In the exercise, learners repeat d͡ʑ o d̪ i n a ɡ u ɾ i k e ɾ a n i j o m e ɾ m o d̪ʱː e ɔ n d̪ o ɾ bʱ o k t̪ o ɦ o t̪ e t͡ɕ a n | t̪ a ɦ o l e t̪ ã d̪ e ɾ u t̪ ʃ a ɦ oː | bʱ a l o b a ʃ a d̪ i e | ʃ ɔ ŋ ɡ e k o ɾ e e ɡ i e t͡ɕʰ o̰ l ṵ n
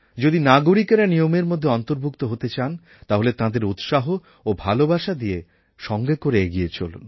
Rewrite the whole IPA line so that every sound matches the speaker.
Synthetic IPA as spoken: d͡ʑ o d̪ i n a ɡ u ɾ i k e ɾ a n i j o m e ɾ m o d̪ʱː e ɔ n t̪ o ɾ bʱ u k t̪ o ɦ o t̪ e t͡ɕ a n | t̪ a ɦ o l e t̪ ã d̪ e ɾ u t̪ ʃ a ɦ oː | bʱ a l o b a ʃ a d̪ i e | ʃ ɔ ŋ ɡ e k o ɾ e e ɡ i e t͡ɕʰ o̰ l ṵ n